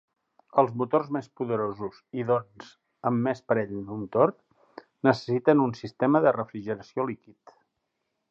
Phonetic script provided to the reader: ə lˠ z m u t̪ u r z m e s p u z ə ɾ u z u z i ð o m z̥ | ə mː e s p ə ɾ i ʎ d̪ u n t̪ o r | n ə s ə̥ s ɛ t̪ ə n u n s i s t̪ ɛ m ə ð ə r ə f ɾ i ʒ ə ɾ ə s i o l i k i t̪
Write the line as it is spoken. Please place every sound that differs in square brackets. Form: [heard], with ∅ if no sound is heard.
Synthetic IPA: ə lˠ z m u t̪ [o] r z m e s p u [ð] ə ɾ [o] z u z i ð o [n] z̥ | ə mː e s p ə ɾ [ɛ] ʎ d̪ u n t̪ o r | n ə s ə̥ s [i] t̪ ə n u n s i s t̪ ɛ m ə ð ə r ə f ɾ i ʒ ə ɾ ə s i o l i k i t̪

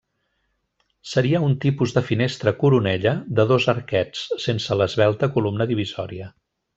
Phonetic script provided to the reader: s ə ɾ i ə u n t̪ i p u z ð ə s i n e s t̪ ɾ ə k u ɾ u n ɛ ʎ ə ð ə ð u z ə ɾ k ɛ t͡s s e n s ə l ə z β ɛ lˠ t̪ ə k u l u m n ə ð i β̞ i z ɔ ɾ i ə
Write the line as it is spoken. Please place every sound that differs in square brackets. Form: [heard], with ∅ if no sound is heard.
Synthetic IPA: s ə ɾ i ə u n t̪ i p u z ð ə [f] i n e s t̪ ɾ ə k u ɾ u n ɛ ʎ ə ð ə ð [o] z ə ɾ k ɛ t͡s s e n s ə l ə z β ɛ lˠ t̪ ə k u l u m n ə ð i β̞ i z ɔ ɾ i ə

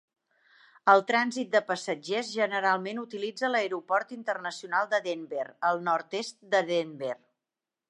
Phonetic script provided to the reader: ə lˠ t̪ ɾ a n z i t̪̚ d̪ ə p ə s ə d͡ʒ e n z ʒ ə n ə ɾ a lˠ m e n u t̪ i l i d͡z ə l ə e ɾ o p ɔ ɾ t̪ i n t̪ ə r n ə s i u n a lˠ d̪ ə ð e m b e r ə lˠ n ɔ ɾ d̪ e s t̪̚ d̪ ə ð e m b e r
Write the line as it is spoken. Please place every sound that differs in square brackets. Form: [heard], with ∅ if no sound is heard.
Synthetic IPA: ə lˠ t̪ ɾ a n z i t̪̚ d̪ ə p ə s ə d͡ʒ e [∅] z ʒ ə n ə ɾ a lˠ m e n u t̪ i l i d͡z ə l ə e ɾ [u] p ɔ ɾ t̪ i n t̪ ə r n ə s i u n a lˠ d̪ ə ð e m b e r ə lˠ n ɔ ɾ [t̪] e s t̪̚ d̪ ə ð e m b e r

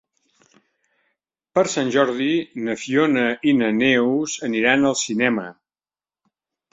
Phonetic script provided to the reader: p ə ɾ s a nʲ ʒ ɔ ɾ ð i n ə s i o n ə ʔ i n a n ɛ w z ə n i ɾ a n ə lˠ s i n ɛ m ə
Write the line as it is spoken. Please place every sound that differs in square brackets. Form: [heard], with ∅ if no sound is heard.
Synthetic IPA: p ə ɾ s a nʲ ʒ ɔ ɾ ð i n ə [f] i o n ə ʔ i n [ə] n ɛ w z ə n i ɾ a n ə lˠ s i n ɛ m ə

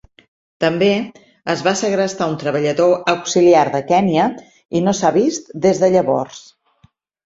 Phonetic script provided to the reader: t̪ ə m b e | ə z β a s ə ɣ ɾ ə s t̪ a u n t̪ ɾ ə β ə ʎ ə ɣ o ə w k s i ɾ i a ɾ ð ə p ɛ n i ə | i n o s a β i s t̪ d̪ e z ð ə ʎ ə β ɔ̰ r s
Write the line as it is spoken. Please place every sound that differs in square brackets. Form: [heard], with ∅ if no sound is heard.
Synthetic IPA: t̪ ə m b e | ə z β a s ə ɣ ɾ ə s t̪ a u n t̪ ɾ ə β ə ʎ ə [ð] o ə w k s i [l] i a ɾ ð ə [k] ɛ n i ə | i n o s a β i s t̪ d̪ e z ð ə ʎ ə β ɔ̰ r s

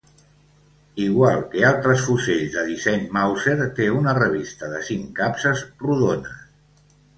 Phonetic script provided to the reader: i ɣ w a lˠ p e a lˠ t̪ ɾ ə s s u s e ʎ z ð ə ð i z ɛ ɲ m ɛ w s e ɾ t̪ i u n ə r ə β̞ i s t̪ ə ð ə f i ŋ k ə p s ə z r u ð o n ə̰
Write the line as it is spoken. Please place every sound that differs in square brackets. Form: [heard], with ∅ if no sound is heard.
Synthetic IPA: i ɣ w a lˠ [k] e a lˠ t̪ ɾ ə s [f] u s e ʎ z ð ə ð i [s] ɛ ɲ m [a] w s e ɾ t̪ [e] u n ə r ə β̞ i s t̪ ə ð ə [s] i ŋ k [a] p s ə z r u ð o n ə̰

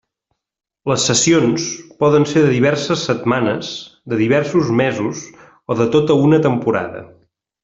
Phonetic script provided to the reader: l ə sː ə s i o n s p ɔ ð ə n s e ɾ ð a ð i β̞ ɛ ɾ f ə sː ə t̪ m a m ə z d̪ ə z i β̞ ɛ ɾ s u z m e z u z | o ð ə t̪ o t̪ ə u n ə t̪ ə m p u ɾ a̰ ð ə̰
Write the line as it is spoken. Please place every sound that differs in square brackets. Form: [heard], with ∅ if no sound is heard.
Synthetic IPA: l ə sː ə s i o n s p ɔ ð ə n s e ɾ ð [ə] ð i β̞ ɛ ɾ [s] ə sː ə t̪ m a [n] ə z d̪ ə [ð] i β̞ ɛ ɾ s u z m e z u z | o ð ə t̪ o t̪ ə u n ə t̪ ə m p u ɾ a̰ ð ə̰

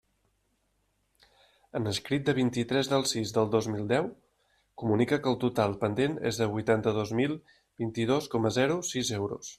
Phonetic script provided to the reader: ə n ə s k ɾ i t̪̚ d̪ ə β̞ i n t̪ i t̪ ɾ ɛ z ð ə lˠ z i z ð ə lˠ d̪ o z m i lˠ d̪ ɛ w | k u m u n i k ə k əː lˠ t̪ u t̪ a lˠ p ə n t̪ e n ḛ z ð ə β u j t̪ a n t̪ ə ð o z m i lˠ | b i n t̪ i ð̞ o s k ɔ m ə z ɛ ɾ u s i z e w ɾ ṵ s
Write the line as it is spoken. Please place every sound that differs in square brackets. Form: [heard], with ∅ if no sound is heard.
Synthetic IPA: ə n ə s k ɾ i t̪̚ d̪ ə β̞ i n t̪ i t̪ ɾ ɛ z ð ə lˠ [s] i z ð ə lˠ d̪ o z m i lˠ d̪ ɛ w | k u m u n i k ə k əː lˠ t̪ u t̪ a lˠ p ə n [d̪] e n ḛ z ð ə β u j t̪ a n t̪ ə ð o z m i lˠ | b i n t̪ i ð̞ o s k ɔ m ə z ɛ ɾ u s i z e w ɾ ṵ s

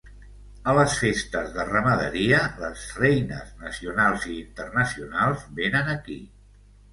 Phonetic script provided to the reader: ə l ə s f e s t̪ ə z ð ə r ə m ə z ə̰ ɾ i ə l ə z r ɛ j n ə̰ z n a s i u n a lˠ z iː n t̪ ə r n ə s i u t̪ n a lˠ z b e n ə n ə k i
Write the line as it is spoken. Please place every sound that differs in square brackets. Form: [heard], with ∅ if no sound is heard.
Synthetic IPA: ə l ə s f e s t̪ ə z ð ə r ə m ə [ð] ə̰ ɾ i ə l ə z r ɛ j n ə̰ z n [ə] s i u n a lˠ z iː n t̪ ə r n ə s i u [∅] n a lˠ z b e n ə n ə k i

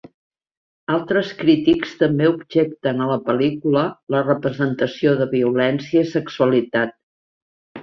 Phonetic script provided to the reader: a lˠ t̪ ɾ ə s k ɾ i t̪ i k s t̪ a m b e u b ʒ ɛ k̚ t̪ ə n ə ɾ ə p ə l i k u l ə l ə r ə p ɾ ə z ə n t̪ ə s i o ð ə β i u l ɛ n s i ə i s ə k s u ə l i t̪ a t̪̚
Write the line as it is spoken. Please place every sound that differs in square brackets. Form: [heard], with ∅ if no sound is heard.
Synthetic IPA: a lˠ t̪ ɾ ə s k ɾ i t̪ i k s t̪ [ə] m b e u b ʒ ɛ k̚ t̪ ə n ə [l] ə p ə l i k u l ə l ə r ə p ɾ ə z ə n t̪ ə s i o ð ə β i u l ɛ n s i ə i s ə k s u ə l i t̪ a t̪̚

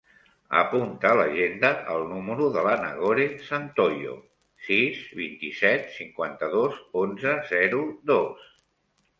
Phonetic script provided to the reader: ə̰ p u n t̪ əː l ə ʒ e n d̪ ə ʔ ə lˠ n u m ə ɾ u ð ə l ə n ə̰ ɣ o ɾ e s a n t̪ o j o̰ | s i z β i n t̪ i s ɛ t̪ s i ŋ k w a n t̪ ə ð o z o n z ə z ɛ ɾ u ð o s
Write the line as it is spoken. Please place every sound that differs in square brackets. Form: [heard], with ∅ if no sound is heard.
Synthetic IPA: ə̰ p u n t̪ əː l ə ʒ e n d̪ ə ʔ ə lˠ n u m ə ɾ u ð ə l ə n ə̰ ɣ o ɾ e s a n t̪ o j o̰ | s i z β i n t̪ i s ɛ t̪ s i ŋ k w a n t̪ ə ð o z o n z ə z ɛ ɾ u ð o s

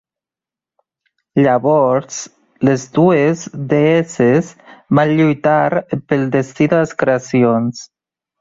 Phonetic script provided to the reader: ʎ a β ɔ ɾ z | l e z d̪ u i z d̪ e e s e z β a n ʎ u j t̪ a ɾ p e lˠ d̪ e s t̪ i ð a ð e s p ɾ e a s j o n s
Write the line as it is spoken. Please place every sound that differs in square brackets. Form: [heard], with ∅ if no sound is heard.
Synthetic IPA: ʎ a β ɔ ɾ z | l e z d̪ u [e] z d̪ e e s e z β a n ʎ u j t̪ a ɾ p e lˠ d̪ e s t̪ i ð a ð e s [k] ɾ e a s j o n s

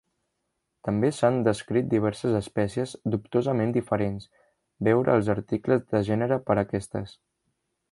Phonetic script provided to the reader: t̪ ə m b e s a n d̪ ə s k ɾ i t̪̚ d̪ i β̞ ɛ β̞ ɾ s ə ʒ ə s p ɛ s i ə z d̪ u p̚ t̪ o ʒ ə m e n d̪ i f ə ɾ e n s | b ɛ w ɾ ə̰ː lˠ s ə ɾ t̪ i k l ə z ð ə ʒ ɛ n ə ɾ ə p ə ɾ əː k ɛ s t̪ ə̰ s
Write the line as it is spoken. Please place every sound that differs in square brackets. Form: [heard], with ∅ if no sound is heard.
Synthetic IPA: t̪ ə m b e s a n d̪ ə s k ɾ i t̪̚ d̪ i β̞ ɛ [∅] ɾ s ə [z] ə s p ɛ s i ə z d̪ u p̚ t̪ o [z] ə m e n d̪ i f ə ɾ e n s | b ɛ w ɾ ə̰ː lˠ [z] ə ɾ t̪ i k l ə z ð ə ʒ ɛ n ə ɾ ə p ə ɾ [ə] k ɛ s t̪ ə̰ s

